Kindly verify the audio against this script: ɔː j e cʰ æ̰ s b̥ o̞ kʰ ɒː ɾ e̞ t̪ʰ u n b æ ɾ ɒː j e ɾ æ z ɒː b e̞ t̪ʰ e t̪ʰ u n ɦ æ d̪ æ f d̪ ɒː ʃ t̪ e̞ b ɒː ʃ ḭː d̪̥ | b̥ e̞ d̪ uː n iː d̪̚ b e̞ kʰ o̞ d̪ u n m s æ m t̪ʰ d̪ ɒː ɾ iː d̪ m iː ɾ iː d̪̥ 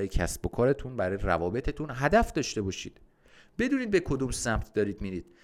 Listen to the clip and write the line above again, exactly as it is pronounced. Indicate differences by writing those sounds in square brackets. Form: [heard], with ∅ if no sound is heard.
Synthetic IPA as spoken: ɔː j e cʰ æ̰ s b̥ o̞ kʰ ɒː ɾ e̞ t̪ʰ u n b æ ɾ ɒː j e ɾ æ [v] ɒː b e̞ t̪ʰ e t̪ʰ u n ɦ æ d̪ æ f d̪ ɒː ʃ t̪ e̞ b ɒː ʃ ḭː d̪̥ | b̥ e̞ d̪ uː n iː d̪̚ b e̞ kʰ o̞ d̪ u [∅] m s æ m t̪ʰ d̪ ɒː ɾ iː d̪ m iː ɾ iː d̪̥